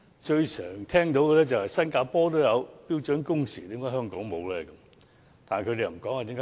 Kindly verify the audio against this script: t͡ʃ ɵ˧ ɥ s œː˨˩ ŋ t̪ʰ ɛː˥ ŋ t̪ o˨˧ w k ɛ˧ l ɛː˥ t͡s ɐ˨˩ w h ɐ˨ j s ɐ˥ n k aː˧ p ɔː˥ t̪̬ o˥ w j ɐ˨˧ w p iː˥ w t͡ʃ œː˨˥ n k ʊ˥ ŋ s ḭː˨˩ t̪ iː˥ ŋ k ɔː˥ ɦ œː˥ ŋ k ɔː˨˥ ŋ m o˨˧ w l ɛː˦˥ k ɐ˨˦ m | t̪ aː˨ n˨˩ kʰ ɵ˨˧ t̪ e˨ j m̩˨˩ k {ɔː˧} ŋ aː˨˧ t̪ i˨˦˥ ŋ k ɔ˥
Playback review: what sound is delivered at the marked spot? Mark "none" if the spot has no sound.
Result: ɔː˨˥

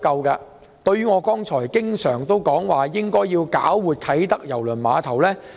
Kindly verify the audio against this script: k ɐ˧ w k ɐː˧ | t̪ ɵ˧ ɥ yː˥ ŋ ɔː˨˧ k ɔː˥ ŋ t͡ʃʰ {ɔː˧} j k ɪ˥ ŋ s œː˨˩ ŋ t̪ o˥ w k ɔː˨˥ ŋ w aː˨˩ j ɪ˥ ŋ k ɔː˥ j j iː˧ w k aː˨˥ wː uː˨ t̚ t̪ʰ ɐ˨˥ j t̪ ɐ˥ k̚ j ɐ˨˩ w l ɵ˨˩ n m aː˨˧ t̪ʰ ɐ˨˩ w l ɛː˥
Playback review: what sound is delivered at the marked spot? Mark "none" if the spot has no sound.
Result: ɔː˨˩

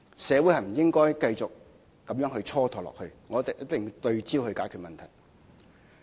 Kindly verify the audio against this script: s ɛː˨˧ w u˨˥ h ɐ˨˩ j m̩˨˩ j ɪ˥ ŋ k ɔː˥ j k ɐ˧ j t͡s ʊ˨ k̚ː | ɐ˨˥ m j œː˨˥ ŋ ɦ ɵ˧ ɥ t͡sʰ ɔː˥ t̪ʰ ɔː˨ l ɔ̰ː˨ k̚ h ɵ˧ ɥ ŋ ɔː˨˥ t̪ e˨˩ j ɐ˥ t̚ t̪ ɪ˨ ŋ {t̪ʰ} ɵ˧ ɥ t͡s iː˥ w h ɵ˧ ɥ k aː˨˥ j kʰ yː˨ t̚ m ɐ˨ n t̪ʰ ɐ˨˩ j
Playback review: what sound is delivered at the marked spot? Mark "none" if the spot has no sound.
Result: t̪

